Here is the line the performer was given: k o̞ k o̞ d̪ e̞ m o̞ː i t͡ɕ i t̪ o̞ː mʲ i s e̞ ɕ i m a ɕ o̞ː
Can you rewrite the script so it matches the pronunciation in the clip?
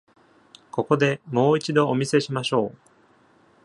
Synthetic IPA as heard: k o̞ k o̞ d̪ e̞ m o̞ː i t͡ɕ i d̪ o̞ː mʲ i s e̞ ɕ i m a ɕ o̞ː